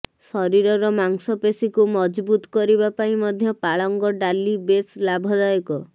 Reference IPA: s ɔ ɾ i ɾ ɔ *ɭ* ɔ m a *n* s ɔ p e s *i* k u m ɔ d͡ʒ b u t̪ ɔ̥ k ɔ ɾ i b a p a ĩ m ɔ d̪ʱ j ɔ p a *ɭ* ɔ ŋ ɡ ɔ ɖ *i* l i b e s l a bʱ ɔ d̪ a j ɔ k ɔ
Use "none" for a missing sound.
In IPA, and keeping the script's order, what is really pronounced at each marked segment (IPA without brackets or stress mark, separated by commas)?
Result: ɾ, ŋ, i, ɭ, a